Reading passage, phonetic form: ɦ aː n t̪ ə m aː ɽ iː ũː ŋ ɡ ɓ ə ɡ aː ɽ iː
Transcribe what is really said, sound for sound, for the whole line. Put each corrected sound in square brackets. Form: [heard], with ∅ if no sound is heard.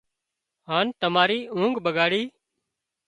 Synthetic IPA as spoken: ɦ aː n t̪ ə m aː [ɾ] iː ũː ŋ ɡ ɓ ə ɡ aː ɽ iː